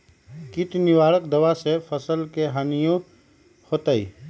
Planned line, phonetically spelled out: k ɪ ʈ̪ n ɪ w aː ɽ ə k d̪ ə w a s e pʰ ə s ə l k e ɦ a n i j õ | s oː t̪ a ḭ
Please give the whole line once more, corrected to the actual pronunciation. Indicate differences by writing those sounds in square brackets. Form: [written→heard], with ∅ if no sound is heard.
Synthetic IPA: k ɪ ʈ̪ n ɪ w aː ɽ ə k d̪ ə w a s e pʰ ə s ə l k e ɦ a n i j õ | [s→h] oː t̪ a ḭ